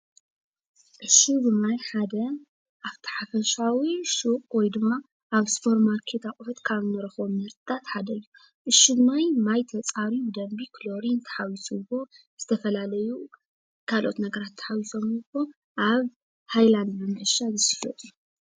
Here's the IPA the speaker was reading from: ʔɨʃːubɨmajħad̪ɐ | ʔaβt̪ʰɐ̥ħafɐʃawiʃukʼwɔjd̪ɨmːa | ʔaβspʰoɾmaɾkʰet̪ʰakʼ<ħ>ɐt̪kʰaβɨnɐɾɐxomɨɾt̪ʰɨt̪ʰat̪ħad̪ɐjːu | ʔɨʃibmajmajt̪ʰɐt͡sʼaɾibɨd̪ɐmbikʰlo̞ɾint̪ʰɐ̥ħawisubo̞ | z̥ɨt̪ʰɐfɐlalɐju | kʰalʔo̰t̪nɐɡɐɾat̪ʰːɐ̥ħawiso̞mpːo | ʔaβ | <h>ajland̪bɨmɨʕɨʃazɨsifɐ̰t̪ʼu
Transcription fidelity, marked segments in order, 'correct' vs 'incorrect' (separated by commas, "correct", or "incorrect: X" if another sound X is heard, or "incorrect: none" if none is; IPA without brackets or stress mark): incorrect: f, correct